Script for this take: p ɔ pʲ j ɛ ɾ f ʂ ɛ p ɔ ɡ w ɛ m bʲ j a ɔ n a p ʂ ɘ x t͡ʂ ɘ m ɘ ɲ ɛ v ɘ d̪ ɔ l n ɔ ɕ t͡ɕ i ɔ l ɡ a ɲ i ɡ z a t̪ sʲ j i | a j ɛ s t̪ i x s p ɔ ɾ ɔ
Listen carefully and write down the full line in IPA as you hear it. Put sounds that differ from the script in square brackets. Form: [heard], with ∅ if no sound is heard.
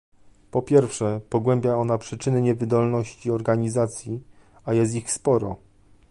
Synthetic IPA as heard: p ɔ pʲ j ɛ ɾ f ʂ ɛ p ɔ ɡ w ɛ m bʲ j a ɔ n a p ʂ ɘ [∅] t͡ʂ ɘ [n] ɘ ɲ ɛ v ɘ d̪ ɔ l n ɔ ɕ t͡ɕ i ɔ [ɾ] ɡ a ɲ i [∅] z a t̪ sʲ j i | a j ɛ s t̪ i x s p ɔ ɾ ɔ